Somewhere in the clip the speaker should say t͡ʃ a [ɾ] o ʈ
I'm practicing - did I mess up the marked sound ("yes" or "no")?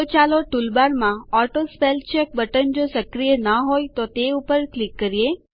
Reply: yes